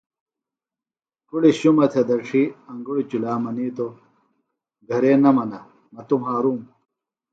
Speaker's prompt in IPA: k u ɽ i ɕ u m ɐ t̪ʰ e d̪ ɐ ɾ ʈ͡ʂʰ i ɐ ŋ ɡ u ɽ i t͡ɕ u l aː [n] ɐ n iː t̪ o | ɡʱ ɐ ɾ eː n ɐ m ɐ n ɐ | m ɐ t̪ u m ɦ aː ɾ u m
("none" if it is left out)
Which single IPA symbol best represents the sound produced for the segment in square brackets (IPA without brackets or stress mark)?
m